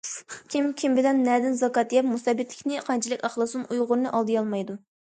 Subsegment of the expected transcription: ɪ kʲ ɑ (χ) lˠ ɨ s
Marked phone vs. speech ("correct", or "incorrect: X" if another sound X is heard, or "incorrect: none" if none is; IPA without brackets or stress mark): correct